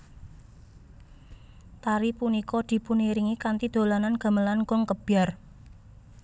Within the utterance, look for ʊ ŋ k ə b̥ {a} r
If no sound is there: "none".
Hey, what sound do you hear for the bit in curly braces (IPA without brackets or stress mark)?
a